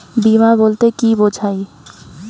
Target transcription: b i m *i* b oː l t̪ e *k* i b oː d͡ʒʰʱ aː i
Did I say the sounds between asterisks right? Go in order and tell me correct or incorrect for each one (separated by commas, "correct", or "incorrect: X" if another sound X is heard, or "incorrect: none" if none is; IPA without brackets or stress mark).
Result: incorrect: a, correct